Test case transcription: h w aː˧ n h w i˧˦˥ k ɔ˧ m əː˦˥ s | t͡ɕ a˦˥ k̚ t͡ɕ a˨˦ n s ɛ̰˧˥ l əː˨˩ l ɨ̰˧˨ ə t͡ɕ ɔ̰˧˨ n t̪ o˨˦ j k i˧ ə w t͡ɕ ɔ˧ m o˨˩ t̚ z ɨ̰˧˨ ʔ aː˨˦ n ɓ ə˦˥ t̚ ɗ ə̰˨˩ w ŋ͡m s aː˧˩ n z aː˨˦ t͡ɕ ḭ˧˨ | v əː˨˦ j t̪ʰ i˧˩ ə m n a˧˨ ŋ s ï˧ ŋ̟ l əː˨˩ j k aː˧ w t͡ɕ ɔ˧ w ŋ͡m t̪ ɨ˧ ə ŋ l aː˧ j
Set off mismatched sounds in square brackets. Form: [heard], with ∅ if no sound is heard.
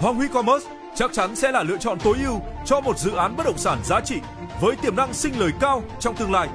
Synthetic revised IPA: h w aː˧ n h w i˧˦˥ k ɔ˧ m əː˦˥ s | t͡ɕ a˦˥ k̚ t͡ɕ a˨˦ n s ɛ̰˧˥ l [aː˨˩] l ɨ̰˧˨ ə t͡ɕ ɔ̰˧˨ n t̪ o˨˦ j [ʔ] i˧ ə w t͡ɕ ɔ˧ m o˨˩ t̚ z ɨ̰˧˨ ʔ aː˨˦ n ɓ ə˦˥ t̚ ɗ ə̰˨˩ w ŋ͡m s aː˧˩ n z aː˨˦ t͡ɕ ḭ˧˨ | v əː˨˦ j [t̪] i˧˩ ə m n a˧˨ ŋ s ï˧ ŋ̟ l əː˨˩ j k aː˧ w t͡ɕ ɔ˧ w ŋ͡m t̪ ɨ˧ ə ŋ l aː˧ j